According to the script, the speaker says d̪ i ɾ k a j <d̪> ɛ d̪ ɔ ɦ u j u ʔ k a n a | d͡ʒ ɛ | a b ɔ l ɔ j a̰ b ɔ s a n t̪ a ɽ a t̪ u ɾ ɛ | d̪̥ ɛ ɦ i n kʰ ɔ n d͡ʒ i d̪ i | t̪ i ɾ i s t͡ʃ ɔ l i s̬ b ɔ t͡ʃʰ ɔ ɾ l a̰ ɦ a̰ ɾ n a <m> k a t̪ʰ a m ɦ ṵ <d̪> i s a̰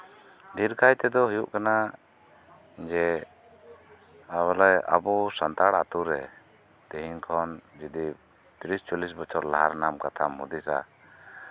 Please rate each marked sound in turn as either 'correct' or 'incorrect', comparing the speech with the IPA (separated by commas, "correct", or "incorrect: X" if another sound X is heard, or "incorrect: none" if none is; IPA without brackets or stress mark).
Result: incorrect: t̪, correct, correct